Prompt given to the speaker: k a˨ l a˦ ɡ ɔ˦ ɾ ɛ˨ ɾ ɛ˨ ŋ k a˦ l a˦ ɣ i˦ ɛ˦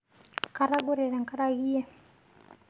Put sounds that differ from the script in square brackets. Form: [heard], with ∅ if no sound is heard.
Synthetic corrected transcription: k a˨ [ɾ] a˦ ɡ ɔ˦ ɾ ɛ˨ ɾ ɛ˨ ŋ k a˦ [ɾ] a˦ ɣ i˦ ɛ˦